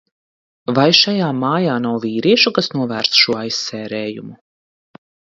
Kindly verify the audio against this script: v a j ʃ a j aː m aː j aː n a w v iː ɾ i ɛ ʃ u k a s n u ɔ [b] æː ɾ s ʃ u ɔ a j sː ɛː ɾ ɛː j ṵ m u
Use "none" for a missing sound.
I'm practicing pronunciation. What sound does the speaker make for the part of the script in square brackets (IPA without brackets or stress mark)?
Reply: v